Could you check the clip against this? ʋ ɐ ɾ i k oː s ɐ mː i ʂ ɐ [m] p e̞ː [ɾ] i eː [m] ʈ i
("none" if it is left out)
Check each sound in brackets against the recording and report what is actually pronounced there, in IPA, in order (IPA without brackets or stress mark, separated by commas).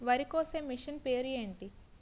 n, ɾ, ɳ